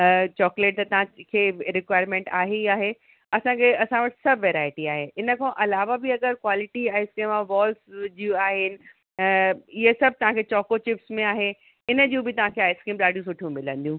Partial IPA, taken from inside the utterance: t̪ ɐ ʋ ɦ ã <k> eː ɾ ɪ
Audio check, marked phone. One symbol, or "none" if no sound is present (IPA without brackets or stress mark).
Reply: kʰ